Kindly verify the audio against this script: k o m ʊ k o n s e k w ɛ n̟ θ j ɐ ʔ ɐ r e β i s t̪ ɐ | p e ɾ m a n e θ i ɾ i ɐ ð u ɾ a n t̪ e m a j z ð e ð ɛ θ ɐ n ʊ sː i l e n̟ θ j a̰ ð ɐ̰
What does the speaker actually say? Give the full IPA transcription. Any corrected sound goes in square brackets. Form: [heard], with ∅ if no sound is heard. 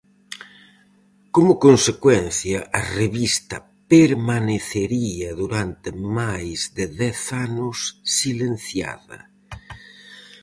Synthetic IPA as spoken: k o m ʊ k o n s e k w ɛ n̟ θ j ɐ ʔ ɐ r e β i s t̪ ɐ | p e ɾ m a n e θ [e] ɾ i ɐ ð u ɾ a n t̪ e m a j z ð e ð ɛ θ [a] n ʊ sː i l e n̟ θ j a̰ ð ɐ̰